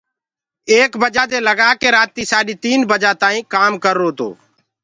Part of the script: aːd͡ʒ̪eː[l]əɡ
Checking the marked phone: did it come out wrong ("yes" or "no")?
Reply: no